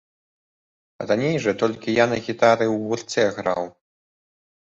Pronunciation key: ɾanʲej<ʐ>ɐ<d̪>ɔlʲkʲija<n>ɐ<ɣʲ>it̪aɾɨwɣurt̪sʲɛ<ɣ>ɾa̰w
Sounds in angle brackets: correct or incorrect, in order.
correct, incorrect: t̪, correct, correct, correct

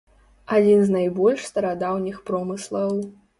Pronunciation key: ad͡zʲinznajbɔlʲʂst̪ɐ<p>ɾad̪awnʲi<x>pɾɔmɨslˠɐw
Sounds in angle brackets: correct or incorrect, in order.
incorrect: none, correct

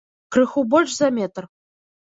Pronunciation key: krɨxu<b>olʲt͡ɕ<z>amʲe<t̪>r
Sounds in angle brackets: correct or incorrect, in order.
correct, correct, correct

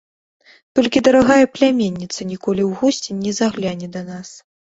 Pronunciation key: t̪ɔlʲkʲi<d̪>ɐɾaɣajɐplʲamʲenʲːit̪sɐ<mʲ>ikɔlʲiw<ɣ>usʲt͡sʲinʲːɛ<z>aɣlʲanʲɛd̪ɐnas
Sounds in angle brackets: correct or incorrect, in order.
correct, incorrect: nʲ, correct, correct

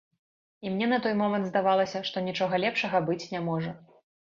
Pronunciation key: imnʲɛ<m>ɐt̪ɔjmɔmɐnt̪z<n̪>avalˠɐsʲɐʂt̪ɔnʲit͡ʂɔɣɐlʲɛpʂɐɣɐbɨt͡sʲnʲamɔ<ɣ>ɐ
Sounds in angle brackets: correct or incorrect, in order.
incorrect: n, incorrect: d̪, incorrect: ʐ

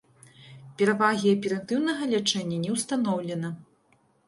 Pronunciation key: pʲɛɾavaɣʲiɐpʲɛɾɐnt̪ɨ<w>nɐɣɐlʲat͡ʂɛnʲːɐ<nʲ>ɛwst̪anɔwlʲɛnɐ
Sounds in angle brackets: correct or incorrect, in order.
correct, correct

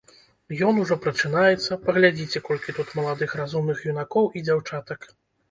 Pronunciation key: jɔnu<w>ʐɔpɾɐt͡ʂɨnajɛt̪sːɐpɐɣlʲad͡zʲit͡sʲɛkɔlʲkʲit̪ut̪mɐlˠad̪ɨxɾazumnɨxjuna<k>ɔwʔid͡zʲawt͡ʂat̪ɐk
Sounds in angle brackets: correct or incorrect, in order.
incorrect: none, correct

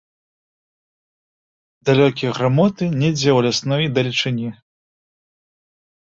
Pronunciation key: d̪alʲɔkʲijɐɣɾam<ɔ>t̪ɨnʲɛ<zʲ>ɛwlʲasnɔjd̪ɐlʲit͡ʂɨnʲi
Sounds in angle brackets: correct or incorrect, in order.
correct, incorrect: d͡zʲ

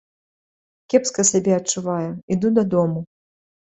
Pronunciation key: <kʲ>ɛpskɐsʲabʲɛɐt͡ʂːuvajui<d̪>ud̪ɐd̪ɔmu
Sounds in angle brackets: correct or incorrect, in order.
correct, correct

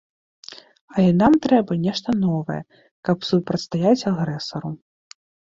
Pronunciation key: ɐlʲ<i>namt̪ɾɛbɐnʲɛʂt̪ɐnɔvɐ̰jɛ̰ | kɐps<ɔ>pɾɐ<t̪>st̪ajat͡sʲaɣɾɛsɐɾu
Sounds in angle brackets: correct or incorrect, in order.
incorrect: ɛ, incorrect: u, correct

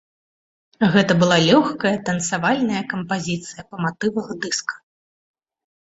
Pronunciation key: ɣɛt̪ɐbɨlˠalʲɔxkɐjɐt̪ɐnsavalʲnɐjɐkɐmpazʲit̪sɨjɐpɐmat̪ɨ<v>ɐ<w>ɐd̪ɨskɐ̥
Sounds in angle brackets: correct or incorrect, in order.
correct, incorrect: ɣ

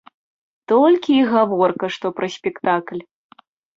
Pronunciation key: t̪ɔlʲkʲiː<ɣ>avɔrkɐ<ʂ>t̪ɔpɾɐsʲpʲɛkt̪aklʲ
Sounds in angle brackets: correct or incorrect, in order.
correct, correct

